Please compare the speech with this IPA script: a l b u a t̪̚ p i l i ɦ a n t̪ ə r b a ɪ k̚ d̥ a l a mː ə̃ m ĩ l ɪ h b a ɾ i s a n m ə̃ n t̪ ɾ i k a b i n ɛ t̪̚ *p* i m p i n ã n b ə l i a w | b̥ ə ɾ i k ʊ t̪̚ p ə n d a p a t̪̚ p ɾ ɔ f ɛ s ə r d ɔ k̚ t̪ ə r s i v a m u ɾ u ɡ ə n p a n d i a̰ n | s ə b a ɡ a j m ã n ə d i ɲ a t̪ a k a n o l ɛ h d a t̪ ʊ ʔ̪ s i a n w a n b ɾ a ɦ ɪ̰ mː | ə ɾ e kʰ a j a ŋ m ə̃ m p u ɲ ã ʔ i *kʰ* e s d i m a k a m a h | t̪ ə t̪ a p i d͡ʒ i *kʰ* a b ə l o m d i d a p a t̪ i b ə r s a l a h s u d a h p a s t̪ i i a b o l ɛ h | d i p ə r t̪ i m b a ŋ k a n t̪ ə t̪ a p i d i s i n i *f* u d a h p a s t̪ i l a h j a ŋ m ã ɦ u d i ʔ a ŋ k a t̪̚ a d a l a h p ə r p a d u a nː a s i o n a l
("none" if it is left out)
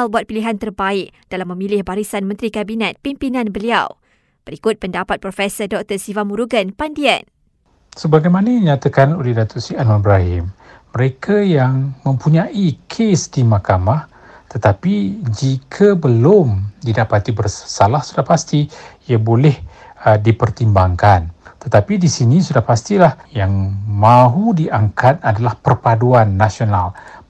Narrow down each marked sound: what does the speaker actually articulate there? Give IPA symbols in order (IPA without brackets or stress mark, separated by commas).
p, kʰ, kʰ, s